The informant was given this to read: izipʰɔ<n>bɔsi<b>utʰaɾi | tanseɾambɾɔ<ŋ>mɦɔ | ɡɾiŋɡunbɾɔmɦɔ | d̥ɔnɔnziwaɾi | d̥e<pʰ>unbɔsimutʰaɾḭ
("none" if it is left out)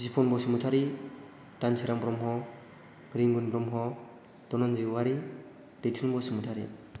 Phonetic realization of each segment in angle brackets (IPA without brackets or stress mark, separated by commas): n, m, none, tʰ